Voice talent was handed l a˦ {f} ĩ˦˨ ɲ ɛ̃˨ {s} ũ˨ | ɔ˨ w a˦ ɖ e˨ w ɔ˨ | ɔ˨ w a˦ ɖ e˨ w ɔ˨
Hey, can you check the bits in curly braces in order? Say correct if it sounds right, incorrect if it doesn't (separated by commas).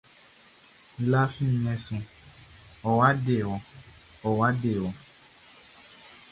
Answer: correct, correct